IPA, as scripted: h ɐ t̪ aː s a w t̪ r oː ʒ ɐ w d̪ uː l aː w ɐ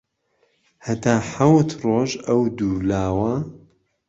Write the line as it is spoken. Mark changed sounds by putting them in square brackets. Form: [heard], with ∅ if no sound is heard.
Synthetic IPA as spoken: h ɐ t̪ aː [ħ] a w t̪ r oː ʒ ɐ w d̪ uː l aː w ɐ